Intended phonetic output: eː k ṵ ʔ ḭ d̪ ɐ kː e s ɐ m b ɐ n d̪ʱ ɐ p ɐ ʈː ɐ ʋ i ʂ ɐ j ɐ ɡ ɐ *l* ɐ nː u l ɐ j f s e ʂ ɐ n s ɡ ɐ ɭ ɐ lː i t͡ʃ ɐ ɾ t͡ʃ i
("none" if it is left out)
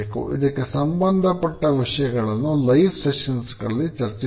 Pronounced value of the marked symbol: ɭ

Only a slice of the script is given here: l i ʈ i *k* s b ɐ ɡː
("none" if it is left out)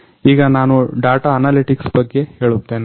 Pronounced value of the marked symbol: k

